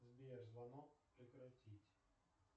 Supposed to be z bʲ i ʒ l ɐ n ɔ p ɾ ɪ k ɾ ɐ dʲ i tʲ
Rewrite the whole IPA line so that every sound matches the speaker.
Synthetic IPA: z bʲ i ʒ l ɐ n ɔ p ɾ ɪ k ɾ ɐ tʲ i tʲ